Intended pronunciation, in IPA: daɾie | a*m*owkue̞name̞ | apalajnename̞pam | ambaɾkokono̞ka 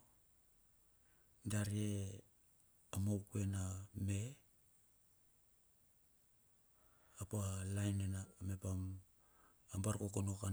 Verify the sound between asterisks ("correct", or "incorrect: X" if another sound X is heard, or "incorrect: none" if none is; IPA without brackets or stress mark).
correct